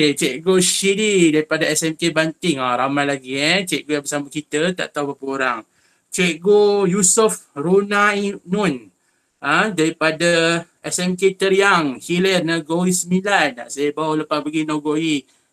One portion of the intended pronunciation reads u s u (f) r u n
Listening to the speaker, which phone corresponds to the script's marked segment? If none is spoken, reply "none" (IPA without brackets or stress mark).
f